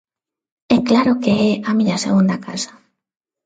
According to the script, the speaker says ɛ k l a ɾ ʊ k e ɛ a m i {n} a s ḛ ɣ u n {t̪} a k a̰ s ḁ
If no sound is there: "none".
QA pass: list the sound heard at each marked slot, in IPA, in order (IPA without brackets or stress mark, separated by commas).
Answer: ɲ, d̪